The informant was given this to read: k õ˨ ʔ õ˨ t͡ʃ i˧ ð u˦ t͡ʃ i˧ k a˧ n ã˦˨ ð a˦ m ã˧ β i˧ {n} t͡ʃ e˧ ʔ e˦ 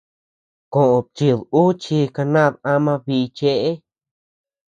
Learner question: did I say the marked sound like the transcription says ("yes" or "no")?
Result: no